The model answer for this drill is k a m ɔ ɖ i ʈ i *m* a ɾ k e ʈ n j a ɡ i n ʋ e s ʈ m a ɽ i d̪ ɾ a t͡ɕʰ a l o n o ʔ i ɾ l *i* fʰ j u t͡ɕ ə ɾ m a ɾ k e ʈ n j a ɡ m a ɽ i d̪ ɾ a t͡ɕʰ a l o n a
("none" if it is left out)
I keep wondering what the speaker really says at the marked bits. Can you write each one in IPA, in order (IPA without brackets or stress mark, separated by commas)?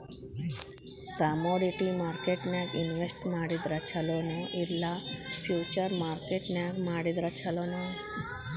m, a